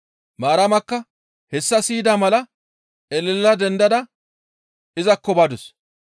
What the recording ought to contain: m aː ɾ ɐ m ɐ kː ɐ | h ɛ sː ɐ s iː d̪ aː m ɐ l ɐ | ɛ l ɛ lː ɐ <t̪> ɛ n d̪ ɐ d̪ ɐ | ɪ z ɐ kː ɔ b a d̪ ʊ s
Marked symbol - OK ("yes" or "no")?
no